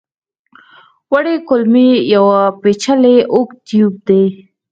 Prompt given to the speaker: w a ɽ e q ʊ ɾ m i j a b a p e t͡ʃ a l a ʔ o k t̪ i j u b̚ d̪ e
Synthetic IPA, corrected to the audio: w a ɽ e k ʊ l m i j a w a p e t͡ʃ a l e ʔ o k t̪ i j u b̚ d̪ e